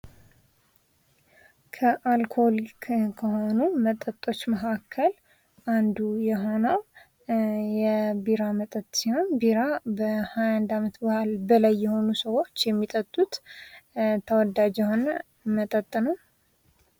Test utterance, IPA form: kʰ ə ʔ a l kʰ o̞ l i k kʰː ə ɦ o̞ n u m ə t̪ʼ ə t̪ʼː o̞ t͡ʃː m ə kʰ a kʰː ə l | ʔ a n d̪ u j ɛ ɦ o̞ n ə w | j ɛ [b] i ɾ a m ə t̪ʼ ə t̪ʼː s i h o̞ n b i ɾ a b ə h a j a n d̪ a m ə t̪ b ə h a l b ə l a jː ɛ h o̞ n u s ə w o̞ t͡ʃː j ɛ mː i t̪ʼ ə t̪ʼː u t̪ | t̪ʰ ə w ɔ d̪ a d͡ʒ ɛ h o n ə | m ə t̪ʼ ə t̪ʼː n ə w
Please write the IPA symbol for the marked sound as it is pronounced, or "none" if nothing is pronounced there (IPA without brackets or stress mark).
b